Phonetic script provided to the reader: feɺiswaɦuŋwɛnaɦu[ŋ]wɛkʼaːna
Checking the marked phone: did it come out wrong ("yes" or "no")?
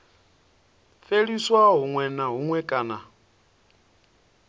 no